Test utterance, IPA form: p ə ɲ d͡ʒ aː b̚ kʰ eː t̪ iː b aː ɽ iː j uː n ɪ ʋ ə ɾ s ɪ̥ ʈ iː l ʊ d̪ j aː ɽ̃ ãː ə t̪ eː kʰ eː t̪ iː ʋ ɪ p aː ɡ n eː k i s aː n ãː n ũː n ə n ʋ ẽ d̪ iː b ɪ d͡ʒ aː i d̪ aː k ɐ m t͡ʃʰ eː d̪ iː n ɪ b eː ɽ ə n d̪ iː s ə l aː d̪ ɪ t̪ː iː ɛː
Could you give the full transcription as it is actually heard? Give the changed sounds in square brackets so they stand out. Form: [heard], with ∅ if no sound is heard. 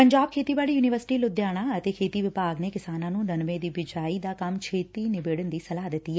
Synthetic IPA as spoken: p ə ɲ d͡ʒ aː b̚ kʰ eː t̪ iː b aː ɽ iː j uː n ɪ ʋ ə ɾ s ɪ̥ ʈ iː l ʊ d̪ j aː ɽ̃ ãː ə t̪ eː kʰ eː t̪ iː ʋ ɪ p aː ɡ n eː k [ɪ] s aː n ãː n ũː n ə n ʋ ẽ d̪ iː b ɪ d͡ʒ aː i d̪ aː k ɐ m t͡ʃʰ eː [t̪] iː n ɪ b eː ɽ ə n d̪ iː s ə l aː d̪ ɪ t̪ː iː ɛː

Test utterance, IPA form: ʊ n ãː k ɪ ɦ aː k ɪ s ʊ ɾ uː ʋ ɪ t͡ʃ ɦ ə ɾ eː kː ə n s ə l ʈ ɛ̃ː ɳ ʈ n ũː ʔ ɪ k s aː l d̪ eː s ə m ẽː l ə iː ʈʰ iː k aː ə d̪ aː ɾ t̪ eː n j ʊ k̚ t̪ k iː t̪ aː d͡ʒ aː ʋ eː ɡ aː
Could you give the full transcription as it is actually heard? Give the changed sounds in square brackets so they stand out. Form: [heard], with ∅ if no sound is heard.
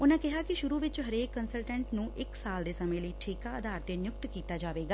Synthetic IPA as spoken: ʊ n ãː k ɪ ɦ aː k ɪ [ʃ] ʊ ɾ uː ʋ ɪ t͡ʃ ɦ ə ɾ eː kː ə n s ə l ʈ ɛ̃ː ɳ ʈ n ũː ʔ ɪ k s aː l d̪ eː s ə m ẽː l ə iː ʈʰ iː k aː ə d̪ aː ɾ t̪ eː n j ʊ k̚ t̪ k iː t̪ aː d͡ʒ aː ʋ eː ɡ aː

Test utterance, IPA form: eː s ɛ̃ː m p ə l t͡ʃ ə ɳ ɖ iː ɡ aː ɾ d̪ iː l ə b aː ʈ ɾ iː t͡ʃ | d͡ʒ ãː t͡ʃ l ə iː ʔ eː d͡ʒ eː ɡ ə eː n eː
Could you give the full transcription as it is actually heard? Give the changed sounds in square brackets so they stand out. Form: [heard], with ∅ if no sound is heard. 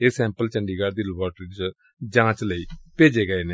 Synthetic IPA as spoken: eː s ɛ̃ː m p ə l t͡ʃ ə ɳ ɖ iː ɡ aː ɾ d̪ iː l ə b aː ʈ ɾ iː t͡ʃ | d͡ʒ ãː t͡ʃ l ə iː [p] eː d͡ʒ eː ɡ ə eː n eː

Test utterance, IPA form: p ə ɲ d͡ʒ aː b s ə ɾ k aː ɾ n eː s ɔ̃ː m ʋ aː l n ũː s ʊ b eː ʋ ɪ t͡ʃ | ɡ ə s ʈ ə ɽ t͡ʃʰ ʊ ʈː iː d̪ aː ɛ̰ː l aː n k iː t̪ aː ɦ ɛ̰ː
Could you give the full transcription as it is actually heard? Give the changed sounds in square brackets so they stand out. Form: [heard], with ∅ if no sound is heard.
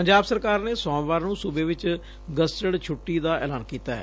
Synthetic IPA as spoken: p ə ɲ d͡ʒ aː b s ə ɾ k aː ɾ n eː s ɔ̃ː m ʋ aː [ɾ] n ũː s ʊ b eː ʋ ɪ t͡ʃ | ɡ ə s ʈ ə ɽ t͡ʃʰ ʊ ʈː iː d̪ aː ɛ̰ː l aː n k iː t̪ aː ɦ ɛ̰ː

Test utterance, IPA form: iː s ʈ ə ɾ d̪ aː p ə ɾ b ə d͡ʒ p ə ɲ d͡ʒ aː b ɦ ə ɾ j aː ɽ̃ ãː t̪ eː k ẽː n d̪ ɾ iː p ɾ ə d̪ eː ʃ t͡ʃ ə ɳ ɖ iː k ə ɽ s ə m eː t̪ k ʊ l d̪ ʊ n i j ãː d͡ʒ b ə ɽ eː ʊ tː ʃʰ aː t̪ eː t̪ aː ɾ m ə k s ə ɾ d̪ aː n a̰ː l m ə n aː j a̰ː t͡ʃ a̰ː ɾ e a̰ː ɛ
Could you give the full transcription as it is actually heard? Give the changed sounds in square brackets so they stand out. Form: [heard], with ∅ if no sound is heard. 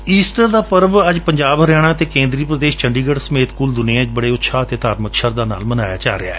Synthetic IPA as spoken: iː s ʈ ə ɾ d̪ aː p ə ɾ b ə d͡ʒ p ə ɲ d͡ʒ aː b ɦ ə ɾ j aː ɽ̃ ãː t̪ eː k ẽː n d̪ ɾ iː p ɾ ə d̪ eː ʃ t͡ʃ ə ɳ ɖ iː [ɡ] ə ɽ s ə m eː t̪ k ʊ l d̪ ʊ n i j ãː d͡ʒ b ə ɽ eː ʊ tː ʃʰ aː t̪ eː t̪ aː ɾ m ə k [ʃ] ə ɾ d̪ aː n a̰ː l m ə n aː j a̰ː t͡ʃ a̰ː ɾ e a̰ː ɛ

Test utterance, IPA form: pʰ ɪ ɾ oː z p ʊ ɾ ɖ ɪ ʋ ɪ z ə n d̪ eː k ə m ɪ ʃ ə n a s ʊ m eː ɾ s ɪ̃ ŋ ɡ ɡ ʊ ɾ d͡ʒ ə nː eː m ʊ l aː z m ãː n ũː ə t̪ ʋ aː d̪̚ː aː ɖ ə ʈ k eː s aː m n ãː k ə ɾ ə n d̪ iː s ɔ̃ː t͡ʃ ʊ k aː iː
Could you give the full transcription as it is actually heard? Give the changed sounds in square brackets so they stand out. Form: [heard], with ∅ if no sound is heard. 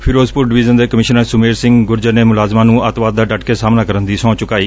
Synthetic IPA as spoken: pʰ ɪ ɾ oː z p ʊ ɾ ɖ ɪ ʋ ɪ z ə n d̪ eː k ə m ɪ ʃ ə n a s ʊ m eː ɾ s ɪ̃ ŋ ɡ ɡ ʊ ɾ d͡ʒ ə [n] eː m ʊ l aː z m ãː n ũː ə t̪ ʋ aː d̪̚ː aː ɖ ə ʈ k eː s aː m n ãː k ə ɾ ə n d̪ iː s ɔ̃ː t͡ʃ ʊ k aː iː

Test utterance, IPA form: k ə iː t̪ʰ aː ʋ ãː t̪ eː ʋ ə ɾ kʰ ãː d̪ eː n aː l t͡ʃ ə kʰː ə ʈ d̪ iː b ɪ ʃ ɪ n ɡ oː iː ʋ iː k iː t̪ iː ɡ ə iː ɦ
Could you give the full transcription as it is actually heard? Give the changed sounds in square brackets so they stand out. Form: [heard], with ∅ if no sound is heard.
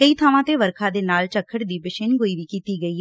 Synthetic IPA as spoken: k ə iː t̪ʰ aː ʋ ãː t̪ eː ʋ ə ɾ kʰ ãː d̪ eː n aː l t͡ʃ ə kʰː ə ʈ d̪ iː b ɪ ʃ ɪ n ɡ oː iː ʋ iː k iː t̪ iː ɡ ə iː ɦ

